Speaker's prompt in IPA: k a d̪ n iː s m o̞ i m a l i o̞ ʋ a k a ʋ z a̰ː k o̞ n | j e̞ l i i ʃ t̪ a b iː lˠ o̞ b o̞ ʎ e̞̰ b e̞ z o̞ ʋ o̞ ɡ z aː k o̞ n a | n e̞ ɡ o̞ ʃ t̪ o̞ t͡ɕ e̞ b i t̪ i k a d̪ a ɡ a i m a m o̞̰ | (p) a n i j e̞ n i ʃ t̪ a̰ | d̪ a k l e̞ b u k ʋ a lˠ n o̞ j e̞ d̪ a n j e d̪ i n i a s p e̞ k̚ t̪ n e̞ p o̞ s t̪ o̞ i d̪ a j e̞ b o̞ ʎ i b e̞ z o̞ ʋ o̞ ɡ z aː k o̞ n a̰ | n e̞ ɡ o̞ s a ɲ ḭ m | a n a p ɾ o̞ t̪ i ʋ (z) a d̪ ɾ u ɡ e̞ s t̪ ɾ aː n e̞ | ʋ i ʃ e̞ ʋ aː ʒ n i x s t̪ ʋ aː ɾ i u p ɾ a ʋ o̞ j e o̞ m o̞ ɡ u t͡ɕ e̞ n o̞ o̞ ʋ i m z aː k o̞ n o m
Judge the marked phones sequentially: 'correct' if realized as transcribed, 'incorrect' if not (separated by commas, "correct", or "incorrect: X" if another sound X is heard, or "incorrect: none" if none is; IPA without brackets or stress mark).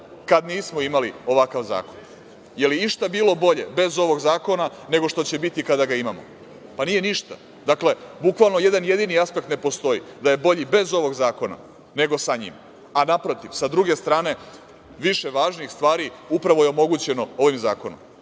correct, incorrect: s